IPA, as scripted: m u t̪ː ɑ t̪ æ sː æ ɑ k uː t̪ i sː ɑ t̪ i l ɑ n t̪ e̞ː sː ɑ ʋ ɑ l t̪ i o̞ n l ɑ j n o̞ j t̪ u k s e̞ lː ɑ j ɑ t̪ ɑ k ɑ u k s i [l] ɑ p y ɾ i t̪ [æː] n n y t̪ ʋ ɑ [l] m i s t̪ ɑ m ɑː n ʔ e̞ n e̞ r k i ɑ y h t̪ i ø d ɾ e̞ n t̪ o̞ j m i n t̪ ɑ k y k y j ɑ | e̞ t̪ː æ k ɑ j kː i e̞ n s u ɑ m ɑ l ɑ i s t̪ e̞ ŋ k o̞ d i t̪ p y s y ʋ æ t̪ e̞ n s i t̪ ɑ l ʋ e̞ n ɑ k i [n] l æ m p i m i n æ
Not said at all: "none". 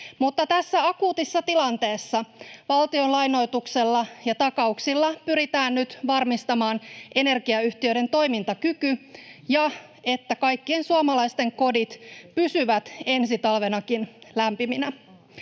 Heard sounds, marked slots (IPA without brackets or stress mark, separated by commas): lː, æː, r, n